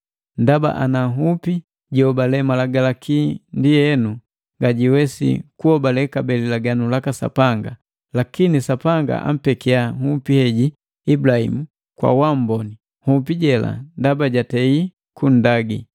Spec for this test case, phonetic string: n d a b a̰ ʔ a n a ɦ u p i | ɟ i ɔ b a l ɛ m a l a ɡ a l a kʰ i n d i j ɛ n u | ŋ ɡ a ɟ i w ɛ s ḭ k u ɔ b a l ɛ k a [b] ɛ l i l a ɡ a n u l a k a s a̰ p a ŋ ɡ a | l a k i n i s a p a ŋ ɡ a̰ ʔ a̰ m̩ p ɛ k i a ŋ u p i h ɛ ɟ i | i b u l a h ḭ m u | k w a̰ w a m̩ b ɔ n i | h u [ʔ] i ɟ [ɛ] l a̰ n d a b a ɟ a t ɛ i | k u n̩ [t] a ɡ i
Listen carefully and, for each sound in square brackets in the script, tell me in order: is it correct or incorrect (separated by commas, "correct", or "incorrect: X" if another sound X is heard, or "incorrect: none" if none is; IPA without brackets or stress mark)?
correct, incorrect: p, correct, incorrect: d